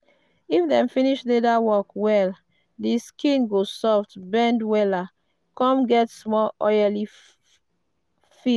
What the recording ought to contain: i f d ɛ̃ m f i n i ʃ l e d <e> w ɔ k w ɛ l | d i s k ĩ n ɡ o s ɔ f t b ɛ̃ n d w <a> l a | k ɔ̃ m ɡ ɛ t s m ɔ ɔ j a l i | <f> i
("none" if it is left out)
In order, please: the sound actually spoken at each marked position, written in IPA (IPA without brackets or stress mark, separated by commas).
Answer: a, ɛ, f